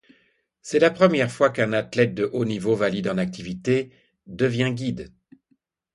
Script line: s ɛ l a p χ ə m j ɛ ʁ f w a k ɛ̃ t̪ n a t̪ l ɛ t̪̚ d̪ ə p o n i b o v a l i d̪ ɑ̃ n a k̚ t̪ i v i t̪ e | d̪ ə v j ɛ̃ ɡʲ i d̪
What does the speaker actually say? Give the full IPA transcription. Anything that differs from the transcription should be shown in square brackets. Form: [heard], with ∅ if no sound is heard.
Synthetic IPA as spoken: s ɛ l a p χ ə m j ɛ ʁ f w a k ɛ̃ [∅] n a t̪ l ɛ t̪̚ d̪ ə [ʔ] o n i [v] o v a l i d̪ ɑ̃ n a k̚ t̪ i v i t̪ e | d̪ ə v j ɛ̃ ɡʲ i d̪